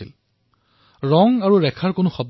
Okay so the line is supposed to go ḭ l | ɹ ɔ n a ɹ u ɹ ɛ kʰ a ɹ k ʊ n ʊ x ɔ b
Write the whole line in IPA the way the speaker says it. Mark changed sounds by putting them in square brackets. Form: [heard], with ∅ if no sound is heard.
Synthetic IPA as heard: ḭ l | ɹ ɔ [ŋ] a ɹ u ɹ ɛ kʰ a ɹ k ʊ n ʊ x ɔ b